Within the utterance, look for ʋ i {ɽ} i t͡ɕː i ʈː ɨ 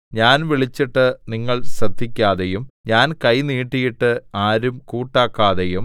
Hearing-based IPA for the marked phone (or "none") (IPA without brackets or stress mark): ɭ